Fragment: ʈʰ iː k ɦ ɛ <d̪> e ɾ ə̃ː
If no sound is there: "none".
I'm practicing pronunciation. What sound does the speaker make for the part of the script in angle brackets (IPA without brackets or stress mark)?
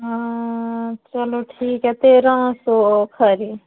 t̪